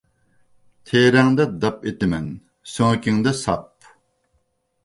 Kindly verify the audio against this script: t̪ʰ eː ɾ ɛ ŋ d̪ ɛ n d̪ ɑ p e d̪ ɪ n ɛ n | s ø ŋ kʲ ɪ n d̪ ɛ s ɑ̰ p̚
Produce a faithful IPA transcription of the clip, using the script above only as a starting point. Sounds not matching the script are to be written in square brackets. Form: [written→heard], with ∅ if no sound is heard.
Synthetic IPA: t̪ʰ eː ɾ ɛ ŋ d̪ ɛ [n→∅] d̪ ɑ p e [d̪→t̪] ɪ [n→m] ɛ n | s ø ŋ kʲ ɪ [n→ŋ] d̪ ɛ s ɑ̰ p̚